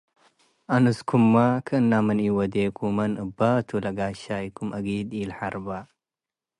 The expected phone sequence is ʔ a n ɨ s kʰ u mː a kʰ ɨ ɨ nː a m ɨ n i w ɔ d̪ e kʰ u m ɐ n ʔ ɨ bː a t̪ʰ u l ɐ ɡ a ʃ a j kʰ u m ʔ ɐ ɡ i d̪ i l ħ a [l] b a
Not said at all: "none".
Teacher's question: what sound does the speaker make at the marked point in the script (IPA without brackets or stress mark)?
ɾ